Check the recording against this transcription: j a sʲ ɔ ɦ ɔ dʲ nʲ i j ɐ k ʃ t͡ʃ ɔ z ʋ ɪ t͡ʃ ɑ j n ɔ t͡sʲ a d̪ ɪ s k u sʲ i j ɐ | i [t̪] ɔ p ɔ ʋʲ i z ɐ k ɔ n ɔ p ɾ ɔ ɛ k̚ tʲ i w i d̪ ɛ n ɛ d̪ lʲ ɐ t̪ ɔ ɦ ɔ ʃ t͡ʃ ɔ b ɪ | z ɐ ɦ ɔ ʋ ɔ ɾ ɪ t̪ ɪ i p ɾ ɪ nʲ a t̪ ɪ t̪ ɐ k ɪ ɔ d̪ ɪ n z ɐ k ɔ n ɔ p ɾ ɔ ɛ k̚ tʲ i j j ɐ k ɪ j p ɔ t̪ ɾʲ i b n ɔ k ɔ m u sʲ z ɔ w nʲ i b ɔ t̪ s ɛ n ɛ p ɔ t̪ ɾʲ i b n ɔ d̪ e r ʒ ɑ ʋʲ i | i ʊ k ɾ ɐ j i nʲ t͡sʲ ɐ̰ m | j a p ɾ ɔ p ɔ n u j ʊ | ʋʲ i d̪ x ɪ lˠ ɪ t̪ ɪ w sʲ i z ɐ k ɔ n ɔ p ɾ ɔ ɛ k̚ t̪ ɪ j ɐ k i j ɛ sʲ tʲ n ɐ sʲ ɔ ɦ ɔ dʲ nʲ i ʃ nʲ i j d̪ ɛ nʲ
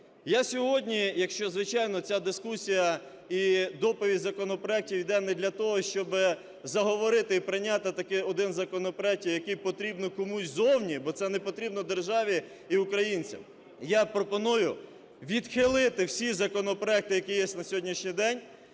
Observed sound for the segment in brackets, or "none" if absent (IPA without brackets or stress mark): d̪